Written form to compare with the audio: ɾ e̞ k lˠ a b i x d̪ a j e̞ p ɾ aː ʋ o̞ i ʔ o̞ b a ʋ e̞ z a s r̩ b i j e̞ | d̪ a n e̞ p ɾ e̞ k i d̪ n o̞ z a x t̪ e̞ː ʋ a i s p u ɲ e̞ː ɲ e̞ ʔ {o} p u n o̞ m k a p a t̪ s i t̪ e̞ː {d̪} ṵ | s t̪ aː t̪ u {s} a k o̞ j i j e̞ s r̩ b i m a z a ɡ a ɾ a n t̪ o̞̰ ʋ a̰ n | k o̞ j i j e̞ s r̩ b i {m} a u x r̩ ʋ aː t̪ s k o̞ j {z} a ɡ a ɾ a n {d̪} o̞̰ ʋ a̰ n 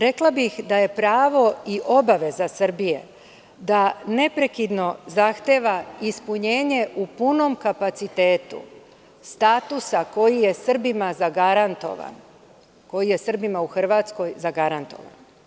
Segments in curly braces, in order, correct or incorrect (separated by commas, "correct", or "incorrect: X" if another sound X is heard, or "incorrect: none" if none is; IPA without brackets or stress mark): incorrect: u, incorrect: t̪, correct, correct, correct, incorrect: t̪